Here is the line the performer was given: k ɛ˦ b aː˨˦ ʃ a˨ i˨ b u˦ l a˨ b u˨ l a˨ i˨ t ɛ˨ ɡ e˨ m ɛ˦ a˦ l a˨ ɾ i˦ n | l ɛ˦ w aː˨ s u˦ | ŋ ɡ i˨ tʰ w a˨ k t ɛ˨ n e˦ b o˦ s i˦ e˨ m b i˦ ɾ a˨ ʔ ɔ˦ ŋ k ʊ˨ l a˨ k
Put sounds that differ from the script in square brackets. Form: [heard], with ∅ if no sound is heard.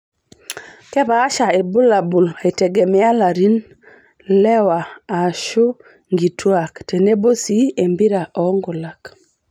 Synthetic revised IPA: k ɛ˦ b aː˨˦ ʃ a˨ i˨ b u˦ l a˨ b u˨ l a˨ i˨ t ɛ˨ ɡ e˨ m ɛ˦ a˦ l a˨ ɾ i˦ n | l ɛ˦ w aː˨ [ʃ] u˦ | ŋ ɡ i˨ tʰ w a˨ k t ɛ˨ n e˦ b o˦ s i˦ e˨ m b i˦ ɾ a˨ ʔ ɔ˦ ŋ [ɡ] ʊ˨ l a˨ k